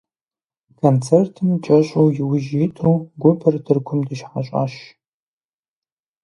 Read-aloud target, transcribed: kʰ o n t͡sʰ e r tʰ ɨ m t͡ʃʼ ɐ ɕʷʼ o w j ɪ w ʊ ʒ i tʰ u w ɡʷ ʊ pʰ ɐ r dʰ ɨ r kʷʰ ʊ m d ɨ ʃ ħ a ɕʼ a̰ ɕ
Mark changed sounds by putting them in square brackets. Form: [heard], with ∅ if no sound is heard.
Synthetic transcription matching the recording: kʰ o n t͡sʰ e r tʰ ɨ m t͡ʃʼ ɐ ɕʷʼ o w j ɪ w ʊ ʒ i tʰ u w ɡʷ ʊ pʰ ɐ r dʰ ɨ r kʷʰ ʊ m d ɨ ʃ ħ a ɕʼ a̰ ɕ